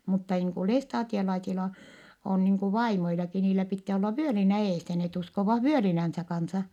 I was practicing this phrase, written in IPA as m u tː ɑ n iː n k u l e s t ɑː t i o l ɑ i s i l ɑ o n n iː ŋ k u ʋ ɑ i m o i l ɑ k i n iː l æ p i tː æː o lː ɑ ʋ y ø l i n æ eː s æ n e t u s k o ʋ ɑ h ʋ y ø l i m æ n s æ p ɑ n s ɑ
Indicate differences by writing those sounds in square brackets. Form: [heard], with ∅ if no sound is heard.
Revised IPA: m u tː ɑ n iː [ŋ] k u l e s t ɑː t i o l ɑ i s i l ɑ o n n iː ŋ k u ʋ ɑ i m o i l ɑ k i n iː l æ p i tː æː o lː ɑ ʋ y ø l i n æ eː s æ n e t u s k o ʋ ɑ h ʋ y ø l i [n] æ n s æ [k] ɑ n s ɑ